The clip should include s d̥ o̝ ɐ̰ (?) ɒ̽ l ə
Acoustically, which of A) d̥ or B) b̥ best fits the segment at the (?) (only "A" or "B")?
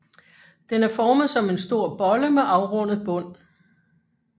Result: B